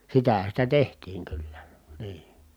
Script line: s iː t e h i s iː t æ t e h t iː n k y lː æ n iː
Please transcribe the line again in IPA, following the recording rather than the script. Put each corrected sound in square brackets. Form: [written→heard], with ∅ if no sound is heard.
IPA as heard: s [iː→i] t [e→æ] h [i→æ] s [iː→i] t æ t e h t iː [n→ŋ] k y lː æ n iː